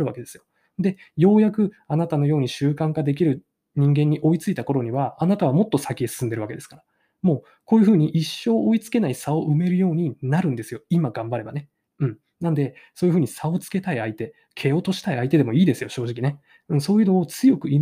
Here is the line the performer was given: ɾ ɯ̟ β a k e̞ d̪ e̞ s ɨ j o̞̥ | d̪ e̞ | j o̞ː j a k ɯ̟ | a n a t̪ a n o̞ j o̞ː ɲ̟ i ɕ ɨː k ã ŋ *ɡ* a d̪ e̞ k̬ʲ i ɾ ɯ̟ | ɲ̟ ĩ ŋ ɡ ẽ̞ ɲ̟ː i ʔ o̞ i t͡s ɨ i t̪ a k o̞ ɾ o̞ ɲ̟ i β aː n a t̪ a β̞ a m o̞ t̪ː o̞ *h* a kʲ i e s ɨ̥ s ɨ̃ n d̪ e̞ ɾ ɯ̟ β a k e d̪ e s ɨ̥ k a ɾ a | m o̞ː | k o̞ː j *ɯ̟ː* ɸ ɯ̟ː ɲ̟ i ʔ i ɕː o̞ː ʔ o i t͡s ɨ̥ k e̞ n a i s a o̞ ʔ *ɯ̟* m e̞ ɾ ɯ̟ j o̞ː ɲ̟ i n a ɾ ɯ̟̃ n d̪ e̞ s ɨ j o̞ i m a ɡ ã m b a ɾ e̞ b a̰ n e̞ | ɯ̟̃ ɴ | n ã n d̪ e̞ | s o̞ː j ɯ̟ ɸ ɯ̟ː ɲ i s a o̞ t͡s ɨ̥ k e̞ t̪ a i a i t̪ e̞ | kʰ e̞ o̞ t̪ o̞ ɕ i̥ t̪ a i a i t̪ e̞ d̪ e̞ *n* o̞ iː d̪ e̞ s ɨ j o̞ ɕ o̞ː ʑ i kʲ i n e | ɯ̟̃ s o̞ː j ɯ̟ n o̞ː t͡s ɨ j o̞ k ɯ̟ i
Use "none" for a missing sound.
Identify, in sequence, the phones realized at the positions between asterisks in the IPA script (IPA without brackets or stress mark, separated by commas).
k, s, ɯ̟, ɯ̟, m